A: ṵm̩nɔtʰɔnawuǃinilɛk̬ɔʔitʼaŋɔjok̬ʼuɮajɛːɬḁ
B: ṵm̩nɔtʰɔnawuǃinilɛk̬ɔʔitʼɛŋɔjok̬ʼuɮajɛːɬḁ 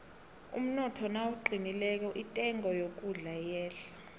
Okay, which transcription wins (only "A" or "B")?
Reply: B